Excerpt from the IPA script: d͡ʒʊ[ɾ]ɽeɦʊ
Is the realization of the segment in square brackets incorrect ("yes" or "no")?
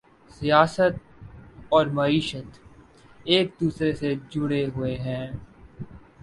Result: yes